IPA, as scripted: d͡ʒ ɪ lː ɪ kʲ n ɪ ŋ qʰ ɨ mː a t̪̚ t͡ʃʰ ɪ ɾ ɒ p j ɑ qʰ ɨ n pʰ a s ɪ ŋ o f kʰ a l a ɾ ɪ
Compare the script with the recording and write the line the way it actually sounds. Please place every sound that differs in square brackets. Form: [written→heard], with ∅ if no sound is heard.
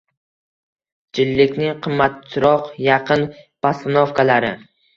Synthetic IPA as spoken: d͡ʒ ɪ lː ɪ kʲ n ɪ ŋ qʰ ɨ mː a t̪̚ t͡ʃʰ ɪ ɾ ɒ [p→q] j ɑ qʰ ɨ n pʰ a s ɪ [ŋ→n] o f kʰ a l a ɾ ɪ